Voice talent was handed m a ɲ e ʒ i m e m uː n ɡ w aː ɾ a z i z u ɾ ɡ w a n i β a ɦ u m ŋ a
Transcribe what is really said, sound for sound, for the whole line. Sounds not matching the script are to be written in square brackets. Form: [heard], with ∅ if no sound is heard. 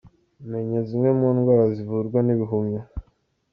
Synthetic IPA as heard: m [e] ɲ e [z] i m e m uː n ɡ w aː ɾ a z i [v] u ɾ ɡ w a n i β [i] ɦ u m [ɲ] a